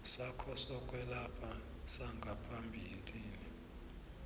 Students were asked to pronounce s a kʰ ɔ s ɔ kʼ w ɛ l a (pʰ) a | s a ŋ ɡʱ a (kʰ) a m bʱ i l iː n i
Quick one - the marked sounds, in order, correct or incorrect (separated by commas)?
correct, incorrect